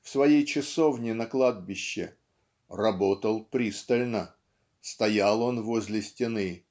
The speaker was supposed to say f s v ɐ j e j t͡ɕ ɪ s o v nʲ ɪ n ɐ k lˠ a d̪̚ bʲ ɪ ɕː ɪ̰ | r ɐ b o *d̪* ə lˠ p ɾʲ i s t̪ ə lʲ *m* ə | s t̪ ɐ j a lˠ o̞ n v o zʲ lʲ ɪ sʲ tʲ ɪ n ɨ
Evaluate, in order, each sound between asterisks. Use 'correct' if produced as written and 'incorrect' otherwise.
incorrect: t̪, incorrect: n

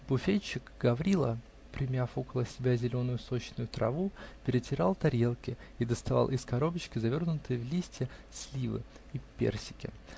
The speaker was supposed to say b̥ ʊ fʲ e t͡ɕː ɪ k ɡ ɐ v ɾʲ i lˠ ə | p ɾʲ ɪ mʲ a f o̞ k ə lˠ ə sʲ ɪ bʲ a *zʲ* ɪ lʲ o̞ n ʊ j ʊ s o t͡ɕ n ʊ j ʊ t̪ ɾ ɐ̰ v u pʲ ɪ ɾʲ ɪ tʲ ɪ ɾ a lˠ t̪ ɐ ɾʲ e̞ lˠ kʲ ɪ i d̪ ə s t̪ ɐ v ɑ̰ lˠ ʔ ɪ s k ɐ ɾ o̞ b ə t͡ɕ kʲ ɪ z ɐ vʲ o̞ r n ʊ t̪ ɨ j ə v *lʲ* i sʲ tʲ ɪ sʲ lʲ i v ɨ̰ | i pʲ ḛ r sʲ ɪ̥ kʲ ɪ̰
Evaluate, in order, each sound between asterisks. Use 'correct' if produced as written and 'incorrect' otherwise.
correct, correct

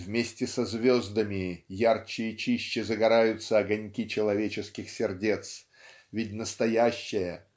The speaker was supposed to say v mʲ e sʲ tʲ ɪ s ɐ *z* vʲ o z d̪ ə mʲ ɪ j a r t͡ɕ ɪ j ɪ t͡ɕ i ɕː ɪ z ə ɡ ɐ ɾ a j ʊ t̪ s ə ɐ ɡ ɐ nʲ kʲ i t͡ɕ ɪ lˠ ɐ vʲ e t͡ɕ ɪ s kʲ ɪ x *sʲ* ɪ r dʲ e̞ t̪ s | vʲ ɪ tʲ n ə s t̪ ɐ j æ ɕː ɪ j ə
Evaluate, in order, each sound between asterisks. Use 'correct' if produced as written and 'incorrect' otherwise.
correct, correct

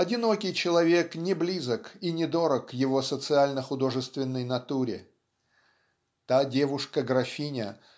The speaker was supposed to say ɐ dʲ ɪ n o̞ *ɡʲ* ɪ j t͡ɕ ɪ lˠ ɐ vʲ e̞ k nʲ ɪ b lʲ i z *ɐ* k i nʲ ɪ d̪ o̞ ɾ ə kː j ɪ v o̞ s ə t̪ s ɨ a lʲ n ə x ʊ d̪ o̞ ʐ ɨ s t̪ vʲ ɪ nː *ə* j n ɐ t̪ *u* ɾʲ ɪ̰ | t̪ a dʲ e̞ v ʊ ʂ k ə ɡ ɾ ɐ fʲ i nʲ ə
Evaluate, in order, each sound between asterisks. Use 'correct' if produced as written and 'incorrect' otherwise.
incorrect: kʲ, incorrect: ə, correct, correct

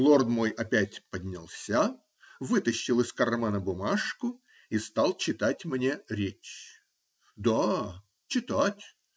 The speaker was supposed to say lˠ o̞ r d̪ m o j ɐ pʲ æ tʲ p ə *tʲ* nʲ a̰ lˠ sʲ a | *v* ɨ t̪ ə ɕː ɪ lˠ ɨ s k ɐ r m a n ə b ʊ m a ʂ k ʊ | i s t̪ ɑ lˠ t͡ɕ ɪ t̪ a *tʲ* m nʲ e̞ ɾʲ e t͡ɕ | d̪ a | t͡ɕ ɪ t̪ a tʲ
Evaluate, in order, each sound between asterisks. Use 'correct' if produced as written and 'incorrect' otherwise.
incorrect: dʲ, correct, correct

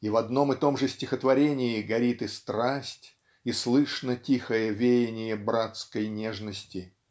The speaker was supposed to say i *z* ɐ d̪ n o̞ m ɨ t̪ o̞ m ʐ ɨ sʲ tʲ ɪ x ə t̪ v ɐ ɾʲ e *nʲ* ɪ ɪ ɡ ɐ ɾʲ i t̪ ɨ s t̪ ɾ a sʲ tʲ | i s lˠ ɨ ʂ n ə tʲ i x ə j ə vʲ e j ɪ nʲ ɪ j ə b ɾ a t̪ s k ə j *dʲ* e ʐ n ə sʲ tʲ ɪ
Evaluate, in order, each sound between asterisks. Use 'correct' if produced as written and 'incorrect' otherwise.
incorrect: v, correct, incorrect: nʲ

